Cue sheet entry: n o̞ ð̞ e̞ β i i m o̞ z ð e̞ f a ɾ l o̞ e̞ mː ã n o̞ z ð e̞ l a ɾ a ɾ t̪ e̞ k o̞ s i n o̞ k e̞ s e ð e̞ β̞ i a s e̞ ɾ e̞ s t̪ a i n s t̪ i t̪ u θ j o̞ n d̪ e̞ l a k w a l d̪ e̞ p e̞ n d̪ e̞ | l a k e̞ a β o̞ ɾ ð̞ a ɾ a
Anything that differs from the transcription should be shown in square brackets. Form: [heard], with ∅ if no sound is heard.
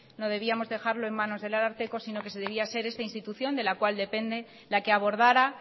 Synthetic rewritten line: n o̞ ð̞ e̞ β i [a] m o̞ z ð e̞ [x] a ɾ l o̞ e̞ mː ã n o̞ z ð e̞ l a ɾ a ɾ t̪ e̞ k o̞ s i n o̞ k e̞ s e ð e̞ β̞ i a s e̞ ɾ e̞ s t̪ a i n s t̪ i t̪ u θ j o̞ n d̪ e̞ l a k w a l d̪ e̞ p e̞ n d̪ e̞ | l a k e̞ a β o̞ ɾ ð̞ a ɾ a